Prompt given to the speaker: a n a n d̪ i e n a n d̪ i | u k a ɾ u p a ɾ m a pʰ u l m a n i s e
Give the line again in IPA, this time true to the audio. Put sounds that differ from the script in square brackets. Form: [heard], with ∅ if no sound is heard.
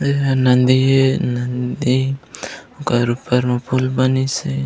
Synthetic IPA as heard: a n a n d̪ i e n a n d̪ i | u k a ɾ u p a ɾ m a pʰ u l [b] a n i s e